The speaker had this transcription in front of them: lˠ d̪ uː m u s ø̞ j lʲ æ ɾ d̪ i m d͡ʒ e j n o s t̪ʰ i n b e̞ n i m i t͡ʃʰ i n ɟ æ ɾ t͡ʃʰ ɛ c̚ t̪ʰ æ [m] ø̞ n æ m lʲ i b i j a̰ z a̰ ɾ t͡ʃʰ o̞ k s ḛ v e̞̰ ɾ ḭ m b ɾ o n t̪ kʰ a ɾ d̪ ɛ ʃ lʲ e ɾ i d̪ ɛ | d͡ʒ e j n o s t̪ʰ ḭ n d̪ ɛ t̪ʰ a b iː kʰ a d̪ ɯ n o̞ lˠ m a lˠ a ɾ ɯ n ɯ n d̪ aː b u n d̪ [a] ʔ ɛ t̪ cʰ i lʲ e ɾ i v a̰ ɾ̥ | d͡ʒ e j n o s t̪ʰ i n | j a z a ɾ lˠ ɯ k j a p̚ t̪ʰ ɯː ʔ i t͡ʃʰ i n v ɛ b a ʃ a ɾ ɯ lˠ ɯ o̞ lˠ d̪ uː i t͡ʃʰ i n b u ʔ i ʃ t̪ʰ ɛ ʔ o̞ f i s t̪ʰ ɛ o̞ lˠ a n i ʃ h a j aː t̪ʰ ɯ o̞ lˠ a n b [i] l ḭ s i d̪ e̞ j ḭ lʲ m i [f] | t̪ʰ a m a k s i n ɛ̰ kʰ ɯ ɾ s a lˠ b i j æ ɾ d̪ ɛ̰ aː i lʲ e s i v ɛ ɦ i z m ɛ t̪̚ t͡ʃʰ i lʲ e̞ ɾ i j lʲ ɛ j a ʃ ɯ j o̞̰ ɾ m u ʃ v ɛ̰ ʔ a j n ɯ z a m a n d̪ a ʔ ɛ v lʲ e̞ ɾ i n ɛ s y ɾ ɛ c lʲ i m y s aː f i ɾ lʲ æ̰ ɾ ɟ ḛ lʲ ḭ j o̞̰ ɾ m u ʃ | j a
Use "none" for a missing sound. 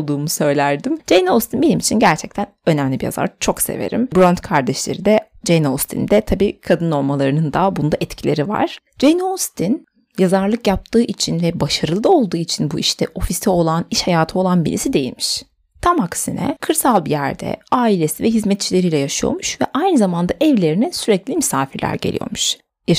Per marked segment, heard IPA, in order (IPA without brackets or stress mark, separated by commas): n, a, i, ʃ